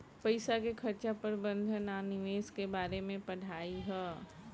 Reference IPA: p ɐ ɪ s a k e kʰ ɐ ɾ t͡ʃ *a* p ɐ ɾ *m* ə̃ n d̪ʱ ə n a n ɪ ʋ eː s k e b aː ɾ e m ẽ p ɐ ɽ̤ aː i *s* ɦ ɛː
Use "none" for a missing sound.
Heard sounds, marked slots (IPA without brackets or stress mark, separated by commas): a, b, none